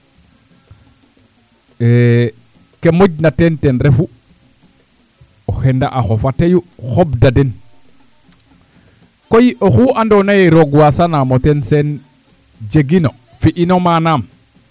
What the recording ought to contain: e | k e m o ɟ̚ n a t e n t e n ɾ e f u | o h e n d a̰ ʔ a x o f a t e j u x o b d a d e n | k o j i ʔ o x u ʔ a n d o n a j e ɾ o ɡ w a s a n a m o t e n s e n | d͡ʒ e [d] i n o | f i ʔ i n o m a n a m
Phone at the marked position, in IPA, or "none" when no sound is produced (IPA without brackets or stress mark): ɡ